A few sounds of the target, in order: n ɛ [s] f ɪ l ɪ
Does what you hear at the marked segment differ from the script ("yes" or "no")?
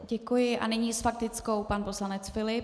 yes